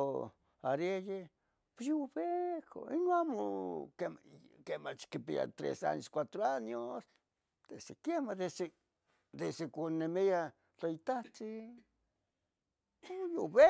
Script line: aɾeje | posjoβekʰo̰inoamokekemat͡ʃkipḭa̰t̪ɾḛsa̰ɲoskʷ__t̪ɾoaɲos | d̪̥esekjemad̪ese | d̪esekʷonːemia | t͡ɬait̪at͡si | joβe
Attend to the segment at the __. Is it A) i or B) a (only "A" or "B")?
B